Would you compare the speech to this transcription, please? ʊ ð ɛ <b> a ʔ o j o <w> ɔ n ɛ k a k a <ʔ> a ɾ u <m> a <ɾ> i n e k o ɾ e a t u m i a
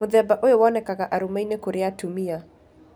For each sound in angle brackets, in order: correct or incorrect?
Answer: correct, correct, correct, correct, incorrect

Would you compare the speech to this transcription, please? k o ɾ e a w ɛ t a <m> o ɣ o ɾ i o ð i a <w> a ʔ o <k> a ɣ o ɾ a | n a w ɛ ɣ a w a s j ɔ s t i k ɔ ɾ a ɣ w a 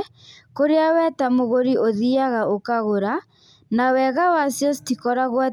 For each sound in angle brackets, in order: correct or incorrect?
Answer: correct, incorrect, correct

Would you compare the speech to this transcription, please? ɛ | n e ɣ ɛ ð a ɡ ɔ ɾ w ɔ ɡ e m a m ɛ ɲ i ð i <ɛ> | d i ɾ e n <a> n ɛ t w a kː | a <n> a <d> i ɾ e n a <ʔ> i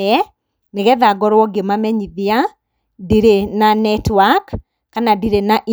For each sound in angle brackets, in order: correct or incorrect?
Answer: incorrect, correct, correct, correct, correct

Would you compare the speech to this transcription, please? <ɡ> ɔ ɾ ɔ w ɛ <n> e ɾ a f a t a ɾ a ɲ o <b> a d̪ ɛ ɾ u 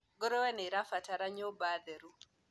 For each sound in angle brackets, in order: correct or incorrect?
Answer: correct, correct, correct

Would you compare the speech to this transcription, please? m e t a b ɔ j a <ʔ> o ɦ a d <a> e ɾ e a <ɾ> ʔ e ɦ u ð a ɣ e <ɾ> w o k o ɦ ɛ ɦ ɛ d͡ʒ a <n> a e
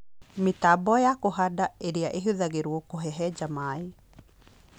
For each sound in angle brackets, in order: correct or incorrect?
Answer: incorrect, correct, incorrect, correct, incorrect

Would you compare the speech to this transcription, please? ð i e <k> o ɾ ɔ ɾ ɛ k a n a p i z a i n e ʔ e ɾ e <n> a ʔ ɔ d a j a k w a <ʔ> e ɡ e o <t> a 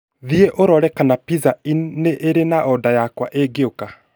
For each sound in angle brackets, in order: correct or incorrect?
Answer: incorrect, correct, correct, incorrect

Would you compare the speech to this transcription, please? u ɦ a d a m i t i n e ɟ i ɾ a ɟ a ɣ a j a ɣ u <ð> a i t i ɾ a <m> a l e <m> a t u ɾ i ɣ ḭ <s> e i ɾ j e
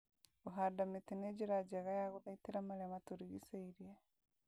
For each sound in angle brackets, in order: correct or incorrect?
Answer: correct, correct, correct, correct

